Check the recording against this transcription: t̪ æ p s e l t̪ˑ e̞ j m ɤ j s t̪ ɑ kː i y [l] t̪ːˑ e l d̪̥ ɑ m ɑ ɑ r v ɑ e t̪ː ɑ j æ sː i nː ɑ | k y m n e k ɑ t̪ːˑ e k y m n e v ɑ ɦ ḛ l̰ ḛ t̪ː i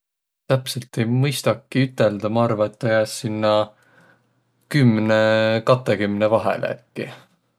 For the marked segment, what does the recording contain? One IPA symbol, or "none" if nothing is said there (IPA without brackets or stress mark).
none